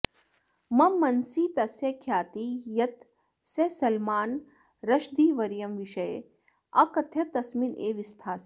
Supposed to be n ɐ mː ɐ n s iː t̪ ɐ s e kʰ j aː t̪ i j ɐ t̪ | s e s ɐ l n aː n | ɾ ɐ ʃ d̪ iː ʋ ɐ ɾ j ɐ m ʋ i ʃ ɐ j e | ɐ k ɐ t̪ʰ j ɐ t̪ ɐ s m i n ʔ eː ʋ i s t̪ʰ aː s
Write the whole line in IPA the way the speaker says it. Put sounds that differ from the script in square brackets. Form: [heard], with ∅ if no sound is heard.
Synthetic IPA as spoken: [m] ɐ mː ɐ n s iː t̪ ɐ s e kʰ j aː t̪ i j ɐ t̪ | s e s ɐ l [m] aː n | ɾ ɐ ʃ d̪ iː ʋ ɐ ɾ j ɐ m ʋ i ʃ ɐ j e | ɐ k ɐ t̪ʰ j ɐ t̪ ɐ s m i n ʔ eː ʋ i s t̪ʰ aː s